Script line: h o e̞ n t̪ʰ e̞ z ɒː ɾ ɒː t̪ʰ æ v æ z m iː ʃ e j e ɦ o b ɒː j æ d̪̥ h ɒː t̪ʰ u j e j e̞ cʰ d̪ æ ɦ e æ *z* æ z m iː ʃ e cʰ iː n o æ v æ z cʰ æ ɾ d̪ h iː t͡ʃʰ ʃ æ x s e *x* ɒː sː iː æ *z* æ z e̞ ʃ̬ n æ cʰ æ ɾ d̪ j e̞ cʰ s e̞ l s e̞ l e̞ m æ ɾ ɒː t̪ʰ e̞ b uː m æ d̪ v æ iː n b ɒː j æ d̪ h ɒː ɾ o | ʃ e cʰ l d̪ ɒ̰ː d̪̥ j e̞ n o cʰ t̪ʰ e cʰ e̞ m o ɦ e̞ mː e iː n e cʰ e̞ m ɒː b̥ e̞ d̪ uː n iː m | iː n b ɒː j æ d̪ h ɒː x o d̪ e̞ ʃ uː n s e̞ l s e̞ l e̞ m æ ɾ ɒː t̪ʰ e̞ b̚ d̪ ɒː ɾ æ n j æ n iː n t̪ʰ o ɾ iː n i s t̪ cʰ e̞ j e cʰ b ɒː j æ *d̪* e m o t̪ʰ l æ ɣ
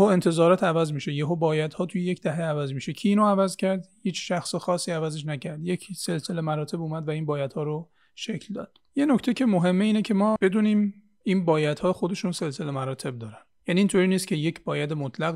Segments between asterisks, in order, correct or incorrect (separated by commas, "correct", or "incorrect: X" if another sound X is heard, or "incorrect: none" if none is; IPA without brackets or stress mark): incorrect: v, correct, incorrect: v, correct